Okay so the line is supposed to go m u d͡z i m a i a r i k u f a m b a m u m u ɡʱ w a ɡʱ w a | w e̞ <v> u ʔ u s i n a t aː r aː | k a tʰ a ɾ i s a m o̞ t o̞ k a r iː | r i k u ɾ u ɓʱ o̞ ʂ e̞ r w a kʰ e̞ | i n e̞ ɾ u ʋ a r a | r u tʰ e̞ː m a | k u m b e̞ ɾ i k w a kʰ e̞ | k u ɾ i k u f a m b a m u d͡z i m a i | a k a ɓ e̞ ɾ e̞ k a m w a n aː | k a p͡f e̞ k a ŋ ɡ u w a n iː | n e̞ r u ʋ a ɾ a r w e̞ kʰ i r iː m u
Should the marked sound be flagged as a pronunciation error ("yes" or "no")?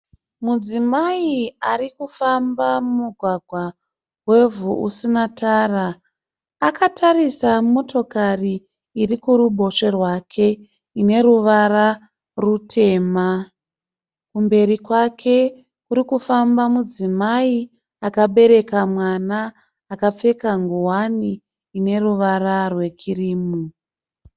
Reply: no